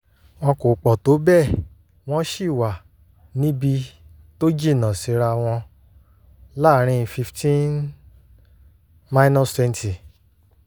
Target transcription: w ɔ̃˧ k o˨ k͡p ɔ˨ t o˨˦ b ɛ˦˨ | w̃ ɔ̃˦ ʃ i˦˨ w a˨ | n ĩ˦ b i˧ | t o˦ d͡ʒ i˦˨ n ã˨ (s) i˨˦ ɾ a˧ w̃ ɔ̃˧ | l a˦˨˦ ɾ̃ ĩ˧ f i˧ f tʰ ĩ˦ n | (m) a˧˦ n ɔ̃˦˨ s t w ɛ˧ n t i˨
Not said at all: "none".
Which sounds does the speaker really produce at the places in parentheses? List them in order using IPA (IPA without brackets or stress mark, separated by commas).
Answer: s, m